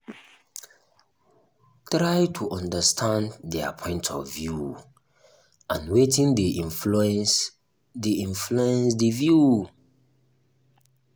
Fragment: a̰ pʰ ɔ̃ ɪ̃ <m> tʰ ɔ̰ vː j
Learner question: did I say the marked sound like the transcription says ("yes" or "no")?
no